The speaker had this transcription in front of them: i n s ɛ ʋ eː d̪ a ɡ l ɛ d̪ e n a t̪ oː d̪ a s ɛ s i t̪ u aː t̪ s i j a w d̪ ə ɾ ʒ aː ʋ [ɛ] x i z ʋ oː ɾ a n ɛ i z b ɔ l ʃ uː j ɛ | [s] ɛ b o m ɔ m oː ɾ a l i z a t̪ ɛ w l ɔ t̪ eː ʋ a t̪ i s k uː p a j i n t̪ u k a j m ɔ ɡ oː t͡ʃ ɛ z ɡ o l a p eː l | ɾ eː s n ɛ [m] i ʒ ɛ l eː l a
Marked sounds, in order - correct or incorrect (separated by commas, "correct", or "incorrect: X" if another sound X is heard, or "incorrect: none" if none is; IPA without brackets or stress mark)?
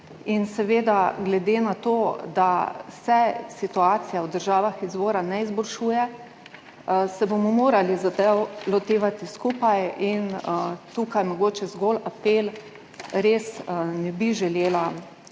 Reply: incorrect: a, correct, incorrect: b